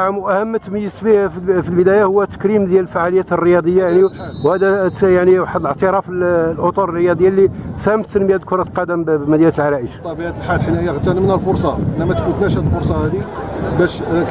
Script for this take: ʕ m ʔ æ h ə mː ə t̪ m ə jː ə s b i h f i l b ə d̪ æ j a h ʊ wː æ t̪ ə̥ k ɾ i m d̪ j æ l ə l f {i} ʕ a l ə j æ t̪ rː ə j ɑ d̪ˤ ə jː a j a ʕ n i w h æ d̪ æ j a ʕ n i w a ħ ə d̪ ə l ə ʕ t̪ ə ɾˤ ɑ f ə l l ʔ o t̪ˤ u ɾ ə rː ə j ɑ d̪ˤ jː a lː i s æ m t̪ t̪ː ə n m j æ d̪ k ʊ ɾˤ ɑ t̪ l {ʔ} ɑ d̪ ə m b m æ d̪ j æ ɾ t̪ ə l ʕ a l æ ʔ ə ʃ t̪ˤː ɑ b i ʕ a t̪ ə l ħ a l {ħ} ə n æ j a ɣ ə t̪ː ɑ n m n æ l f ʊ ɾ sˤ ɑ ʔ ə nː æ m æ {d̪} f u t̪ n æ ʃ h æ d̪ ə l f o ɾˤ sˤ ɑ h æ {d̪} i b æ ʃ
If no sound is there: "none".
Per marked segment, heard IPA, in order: a, q, ħ, t̪, d̪

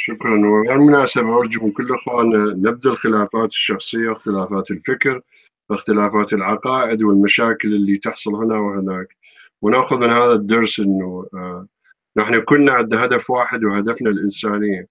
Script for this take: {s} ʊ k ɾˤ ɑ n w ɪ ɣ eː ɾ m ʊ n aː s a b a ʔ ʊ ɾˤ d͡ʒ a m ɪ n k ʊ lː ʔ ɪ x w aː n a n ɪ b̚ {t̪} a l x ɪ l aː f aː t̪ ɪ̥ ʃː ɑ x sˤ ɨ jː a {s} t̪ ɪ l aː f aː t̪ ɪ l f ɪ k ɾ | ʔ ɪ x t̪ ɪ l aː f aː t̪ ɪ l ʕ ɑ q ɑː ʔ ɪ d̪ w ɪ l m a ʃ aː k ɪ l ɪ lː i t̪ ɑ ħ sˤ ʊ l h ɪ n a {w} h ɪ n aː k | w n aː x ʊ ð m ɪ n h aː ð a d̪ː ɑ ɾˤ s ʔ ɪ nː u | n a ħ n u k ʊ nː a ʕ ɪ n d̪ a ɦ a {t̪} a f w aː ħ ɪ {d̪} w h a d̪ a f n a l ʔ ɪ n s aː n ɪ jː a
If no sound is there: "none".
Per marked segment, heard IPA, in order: ʃ, d̪, x, w, d̪, d̪

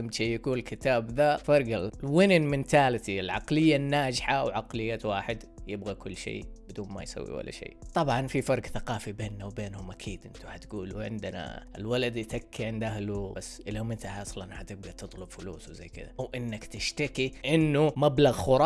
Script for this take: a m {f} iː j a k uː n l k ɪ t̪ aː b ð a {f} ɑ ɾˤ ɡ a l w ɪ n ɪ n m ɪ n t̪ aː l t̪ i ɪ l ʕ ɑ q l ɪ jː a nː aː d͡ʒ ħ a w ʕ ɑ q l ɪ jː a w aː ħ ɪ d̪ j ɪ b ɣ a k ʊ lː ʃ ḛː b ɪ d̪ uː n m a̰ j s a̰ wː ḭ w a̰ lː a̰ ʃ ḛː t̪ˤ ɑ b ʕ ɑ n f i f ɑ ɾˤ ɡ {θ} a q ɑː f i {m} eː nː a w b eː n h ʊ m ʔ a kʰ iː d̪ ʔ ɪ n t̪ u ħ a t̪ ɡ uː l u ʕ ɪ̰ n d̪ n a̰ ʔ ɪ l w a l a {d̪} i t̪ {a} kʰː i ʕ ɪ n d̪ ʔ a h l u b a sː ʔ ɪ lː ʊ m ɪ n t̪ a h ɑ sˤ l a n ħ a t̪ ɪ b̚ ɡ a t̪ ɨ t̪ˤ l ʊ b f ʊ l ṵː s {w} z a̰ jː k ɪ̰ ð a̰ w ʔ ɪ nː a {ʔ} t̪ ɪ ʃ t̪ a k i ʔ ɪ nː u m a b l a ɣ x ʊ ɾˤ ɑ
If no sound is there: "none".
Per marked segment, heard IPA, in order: ʃ, f, θ, b, d̪, a, w, k

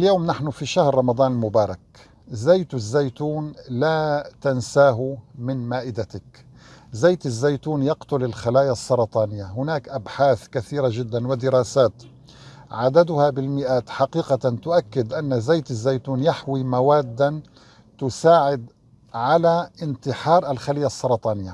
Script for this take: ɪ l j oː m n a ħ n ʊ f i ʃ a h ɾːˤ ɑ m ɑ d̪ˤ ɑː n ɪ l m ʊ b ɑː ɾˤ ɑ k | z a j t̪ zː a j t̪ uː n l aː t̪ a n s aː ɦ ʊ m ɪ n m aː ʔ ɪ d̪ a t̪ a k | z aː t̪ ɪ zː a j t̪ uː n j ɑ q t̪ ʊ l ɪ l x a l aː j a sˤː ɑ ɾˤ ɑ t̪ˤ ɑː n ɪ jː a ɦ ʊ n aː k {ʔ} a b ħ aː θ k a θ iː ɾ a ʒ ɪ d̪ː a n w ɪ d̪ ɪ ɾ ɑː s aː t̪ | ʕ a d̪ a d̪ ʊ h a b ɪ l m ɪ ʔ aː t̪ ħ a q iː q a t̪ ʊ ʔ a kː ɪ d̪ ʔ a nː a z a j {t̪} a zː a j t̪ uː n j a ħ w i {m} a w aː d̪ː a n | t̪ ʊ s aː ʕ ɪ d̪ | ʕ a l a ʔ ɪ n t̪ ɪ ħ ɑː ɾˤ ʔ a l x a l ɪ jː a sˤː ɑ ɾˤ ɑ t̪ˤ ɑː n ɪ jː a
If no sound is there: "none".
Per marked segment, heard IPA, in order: ʔ, t̪, m

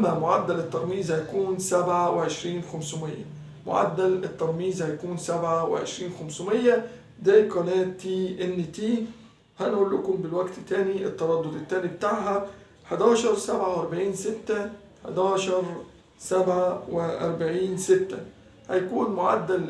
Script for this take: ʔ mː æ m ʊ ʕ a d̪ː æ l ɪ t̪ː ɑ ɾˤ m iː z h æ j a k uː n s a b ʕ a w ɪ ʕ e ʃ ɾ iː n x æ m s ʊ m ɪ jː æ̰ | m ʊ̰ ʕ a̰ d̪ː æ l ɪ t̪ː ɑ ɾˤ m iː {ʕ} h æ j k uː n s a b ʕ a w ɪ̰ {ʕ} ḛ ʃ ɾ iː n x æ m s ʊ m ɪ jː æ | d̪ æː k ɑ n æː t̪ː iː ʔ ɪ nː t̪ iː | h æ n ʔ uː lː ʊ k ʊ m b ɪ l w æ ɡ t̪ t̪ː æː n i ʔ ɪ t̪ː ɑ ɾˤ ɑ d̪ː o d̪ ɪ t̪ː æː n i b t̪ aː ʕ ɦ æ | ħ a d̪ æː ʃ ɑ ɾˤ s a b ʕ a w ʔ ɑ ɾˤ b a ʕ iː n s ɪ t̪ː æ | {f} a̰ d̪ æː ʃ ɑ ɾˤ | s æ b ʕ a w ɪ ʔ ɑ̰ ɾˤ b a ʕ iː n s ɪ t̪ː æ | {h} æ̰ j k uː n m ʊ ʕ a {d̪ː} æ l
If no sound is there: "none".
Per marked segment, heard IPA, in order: z, ʕ, ħ, h, d̪ː

